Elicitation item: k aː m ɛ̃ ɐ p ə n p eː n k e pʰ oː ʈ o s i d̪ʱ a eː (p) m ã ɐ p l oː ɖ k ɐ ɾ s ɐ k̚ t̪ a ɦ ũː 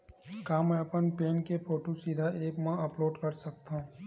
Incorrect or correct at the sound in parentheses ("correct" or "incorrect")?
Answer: incorrect